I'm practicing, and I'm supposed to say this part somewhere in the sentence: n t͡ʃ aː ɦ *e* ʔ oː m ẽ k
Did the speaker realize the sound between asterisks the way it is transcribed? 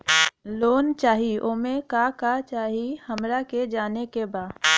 no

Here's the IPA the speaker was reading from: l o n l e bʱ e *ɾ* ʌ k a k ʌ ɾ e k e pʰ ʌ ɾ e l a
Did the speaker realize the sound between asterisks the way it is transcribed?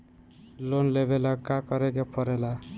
no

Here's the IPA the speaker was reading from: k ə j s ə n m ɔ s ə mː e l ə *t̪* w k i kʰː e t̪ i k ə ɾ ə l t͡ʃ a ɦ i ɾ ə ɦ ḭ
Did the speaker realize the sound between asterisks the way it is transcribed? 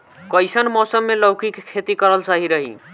no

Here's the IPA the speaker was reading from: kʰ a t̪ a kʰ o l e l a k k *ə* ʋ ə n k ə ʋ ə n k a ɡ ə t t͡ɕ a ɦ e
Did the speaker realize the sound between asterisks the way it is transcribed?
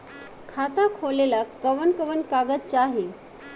yes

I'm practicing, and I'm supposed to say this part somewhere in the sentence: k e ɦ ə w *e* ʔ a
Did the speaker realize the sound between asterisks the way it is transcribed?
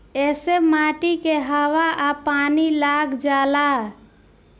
no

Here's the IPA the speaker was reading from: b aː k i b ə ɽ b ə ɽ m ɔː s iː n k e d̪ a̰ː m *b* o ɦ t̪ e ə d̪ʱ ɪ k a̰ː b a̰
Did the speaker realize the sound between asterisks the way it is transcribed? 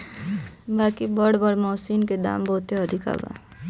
yes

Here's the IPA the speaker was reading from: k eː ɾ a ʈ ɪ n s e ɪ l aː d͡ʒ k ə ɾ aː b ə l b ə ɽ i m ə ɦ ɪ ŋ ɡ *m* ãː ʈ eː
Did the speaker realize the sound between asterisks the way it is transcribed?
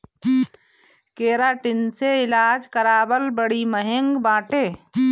no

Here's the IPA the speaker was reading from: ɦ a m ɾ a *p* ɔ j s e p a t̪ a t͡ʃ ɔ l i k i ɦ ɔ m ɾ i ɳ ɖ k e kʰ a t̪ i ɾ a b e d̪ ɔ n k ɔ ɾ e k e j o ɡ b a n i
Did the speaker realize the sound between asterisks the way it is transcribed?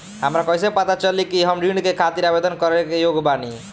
no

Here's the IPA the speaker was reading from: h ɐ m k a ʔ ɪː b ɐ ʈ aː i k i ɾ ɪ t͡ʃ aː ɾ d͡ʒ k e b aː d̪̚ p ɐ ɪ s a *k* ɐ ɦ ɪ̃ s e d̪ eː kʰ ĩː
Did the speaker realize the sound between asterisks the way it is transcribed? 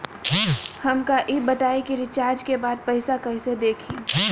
yes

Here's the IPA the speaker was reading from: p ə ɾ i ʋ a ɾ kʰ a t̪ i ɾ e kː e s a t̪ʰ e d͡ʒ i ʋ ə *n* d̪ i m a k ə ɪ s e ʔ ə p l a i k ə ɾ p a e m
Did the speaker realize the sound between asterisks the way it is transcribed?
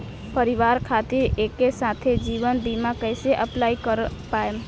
yes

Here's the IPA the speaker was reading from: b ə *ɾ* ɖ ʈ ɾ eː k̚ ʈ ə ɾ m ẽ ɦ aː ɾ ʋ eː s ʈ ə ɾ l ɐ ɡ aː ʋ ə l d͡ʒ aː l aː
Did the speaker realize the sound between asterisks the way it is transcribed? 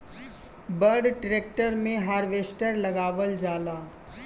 yes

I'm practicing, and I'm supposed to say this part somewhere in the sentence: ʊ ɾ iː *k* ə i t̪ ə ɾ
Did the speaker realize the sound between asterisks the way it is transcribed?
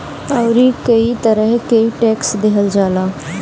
yes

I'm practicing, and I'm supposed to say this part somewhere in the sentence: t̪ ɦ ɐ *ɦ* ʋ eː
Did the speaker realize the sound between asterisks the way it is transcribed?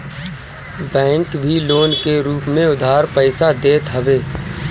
no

